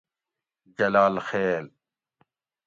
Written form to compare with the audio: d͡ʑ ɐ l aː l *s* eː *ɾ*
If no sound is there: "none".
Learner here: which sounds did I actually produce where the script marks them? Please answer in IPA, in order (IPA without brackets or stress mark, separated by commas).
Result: x, l